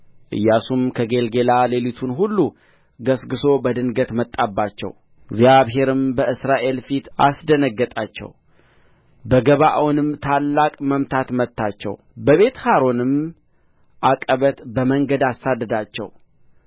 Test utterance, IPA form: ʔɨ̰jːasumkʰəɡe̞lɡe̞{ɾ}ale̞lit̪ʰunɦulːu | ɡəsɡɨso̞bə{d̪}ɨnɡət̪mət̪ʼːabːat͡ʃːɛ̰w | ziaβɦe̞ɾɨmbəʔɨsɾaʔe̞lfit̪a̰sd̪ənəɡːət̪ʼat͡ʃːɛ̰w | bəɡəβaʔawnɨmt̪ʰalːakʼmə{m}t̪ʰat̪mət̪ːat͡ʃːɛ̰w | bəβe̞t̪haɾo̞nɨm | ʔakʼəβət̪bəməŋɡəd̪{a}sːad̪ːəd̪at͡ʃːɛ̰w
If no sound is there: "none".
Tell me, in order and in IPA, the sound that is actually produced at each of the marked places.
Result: l, d̪, m, a

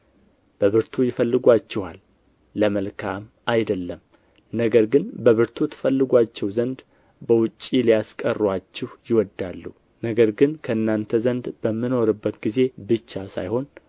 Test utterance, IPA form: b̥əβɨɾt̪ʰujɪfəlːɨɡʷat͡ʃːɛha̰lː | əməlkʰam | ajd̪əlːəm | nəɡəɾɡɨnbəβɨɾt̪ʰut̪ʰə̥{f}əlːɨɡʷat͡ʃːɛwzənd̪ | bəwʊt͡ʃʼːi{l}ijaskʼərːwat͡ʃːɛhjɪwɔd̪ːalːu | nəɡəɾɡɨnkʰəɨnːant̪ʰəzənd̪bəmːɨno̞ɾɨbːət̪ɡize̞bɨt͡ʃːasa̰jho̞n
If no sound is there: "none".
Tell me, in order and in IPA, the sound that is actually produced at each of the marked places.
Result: f, l

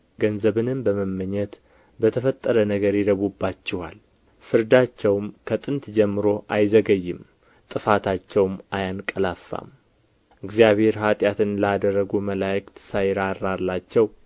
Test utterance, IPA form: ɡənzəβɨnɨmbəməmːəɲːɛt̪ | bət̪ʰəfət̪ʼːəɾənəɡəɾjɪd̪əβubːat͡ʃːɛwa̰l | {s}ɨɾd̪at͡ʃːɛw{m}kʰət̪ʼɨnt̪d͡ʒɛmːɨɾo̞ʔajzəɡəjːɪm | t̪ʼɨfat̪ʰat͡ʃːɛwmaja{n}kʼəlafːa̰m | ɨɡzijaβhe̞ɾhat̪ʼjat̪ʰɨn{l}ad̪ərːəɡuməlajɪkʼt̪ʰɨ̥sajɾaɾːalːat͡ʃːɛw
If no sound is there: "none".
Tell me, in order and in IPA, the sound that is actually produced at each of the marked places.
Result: f, m, n, l

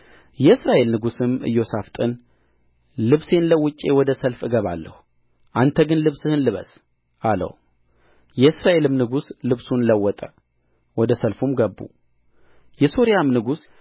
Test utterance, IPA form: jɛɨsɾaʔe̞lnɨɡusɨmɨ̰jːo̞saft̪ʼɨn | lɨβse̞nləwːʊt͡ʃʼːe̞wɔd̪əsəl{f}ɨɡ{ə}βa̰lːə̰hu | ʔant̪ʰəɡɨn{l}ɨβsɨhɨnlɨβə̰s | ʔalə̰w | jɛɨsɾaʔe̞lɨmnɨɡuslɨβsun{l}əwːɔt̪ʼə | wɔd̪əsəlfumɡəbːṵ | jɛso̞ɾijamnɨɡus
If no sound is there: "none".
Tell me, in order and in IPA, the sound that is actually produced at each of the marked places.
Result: f, ə, l, l

